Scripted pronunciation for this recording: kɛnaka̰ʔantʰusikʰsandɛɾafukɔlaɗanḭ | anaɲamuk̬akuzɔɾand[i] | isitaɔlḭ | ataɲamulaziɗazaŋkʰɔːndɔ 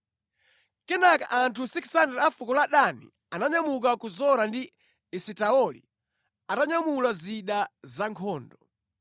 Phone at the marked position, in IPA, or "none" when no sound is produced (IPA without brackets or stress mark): i